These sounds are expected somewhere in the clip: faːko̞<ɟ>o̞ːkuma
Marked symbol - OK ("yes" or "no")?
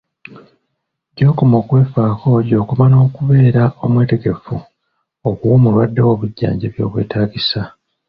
yes